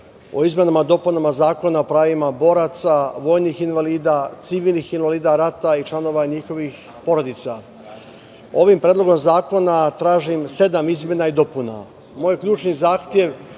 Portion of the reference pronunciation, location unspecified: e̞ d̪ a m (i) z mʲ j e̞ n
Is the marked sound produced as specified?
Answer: yes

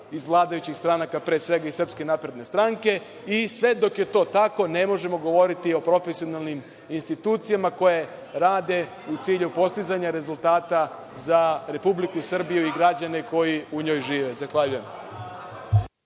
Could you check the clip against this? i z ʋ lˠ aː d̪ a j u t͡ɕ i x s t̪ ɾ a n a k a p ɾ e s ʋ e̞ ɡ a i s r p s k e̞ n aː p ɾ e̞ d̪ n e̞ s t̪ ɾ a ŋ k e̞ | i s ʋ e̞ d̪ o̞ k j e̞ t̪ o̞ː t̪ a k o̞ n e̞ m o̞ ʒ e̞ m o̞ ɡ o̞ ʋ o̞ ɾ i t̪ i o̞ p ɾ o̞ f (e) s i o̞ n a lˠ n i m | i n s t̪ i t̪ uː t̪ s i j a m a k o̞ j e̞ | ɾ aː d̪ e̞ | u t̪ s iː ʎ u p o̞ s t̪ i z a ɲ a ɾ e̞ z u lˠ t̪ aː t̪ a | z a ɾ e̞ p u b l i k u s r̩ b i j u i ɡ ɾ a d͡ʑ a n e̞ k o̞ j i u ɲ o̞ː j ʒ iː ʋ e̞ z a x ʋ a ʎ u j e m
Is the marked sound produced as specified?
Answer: yes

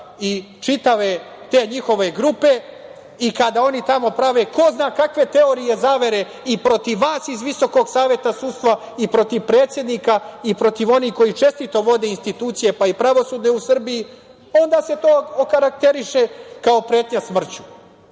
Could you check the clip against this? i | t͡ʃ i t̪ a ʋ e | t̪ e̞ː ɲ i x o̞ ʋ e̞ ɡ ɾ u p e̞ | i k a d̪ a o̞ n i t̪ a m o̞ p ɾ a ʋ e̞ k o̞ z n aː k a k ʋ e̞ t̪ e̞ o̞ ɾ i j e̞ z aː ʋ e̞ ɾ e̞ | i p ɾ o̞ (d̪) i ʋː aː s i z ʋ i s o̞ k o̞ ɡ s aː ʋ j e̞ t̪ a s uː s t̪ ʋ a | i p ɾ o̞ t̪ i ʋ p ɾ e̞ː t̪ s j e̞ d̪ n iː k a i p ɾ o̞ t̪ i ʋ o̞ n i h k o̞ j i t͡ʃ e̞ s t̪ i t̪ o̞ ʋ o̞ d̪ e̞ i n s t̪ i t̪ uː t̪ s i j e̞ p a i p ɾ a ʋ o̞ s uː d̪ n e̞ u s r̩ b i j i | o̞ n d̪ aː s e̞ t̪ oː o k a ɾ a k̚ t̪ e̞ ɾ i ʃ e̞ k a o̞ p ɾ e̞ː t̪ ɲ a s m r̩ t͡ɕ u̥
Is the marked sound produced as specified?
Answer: no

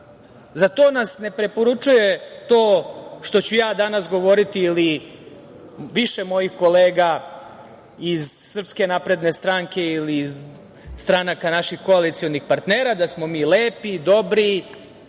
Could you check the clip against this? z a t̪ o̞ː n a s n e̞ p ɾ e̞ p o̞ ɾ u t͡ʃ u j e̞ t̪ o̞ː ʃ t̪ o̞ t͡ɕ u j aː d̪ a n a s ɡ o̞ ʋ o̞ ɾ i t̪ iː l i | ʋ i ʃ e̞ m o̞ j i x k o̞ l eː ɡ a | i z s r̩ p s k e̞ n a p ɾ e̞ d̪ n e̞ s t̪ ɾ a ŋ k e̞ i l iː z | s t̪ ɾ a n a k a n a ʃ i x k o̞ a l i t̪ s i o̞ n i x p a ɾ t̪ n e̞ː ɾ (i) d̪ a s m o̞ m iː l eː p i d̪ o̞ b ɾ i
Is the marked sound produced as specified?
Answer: no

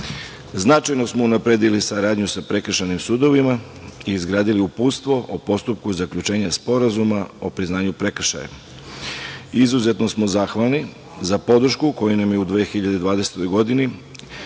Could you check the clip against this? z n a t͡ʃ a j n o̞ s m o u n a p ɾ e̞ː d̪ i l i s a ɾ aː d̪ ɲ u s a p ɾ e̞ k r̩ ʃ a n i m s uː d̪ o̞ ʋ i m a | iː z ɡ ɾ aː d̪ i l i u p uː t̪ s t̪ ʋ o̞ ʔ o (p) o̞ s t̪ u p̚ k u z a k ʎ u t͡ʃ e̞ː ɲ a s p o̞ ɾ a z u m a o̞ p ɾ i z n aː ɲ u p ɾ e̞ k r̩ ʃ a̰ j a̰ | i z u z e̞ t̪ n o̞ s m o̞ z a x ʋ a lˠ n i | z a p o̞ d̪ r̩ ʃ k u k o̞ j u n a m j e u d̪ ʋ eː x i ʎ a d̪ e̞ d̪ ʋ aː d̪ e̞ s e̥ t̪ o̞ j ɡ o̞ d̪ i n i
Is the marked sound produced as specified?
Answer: yes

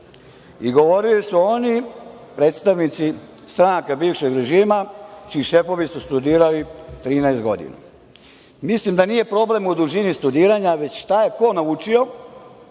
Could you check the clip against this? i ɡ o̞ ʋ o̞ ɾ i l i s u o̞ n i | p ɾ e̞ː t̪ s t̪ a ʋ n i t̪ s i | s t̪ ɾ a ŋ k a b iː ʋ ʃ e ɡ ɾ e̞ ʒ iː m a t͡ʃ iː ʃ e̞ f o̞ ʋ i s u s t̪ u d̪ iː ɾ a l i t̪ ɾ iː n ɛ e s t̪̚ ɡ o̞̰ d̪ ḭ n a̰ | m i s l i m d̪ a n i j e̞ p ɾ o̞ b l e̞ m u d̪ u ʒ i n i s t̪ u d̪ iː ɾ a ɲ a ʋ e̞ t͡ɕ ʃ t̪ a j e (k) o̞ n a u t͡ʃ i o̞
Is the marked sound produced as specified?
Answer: yes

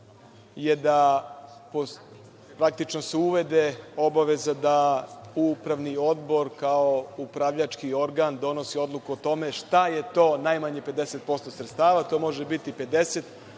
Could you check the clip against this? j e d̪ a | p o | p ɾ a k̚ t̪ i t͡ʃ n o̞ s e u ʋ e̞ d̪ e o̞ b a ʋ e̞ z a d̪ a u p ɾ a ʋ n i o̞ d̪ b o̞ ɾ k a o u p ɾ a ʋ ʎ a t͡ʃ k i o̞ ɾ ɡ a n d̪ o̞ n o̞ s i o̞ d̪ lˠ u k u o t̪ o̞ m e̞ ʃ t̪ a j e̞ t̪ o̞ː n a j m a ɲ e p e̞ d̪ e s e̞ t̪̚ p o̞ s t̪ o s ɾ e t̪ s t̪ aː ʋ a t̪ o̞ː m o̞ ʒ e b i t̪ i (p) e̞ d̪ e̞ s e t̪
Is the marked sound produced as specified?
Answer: yes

